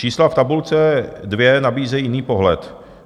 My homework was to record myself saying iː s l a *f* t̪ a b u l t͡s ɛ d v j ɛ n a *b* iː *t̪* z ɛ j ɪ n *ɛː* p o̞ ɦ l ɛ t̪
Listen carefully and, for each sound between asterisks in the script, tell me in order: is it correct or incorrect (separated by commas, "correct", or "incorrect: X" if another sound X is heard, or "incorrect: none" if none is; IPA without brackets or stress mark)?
correct, correct, incorrect: none, incorrect: iː